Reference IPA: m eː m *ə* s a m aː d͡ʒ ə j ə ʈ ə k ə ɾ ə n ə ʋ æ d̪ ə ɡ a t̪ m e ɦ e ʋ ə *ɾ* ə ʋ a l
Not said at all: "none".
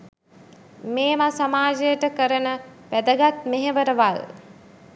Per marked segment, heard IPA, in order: a, ɾ

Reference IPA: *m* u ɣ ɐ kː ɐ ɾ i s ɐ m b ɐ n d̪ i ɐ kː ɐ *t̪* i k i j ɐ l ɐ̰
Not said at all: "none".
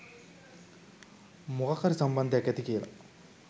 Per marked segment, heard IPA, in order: m, t̪

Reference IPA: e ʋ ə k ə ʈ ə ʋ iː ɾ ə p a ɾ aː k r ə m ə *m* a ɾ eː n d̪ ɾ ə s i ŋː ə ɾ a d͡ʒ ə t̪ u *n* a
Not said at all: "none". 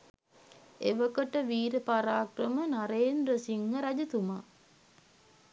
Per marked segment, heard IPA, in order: n, m

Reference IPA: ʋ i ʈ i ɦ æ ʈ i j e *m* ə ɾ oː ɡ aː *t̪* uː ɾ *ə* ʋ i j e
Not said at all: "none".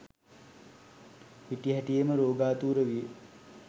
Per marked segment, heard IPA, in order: m, t̪, ə

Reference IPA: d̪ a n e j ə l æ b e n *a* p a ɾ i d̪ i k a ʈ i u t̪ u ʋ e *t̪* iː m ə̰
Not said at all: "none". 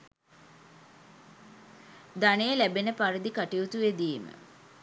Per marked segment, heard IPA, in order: ə, d̪

